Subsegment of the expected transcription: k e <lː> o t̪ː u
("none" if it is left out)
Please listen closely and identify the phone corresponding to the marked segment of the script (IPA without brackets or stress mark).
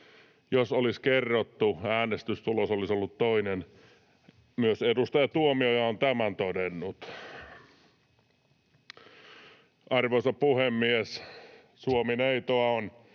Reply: rː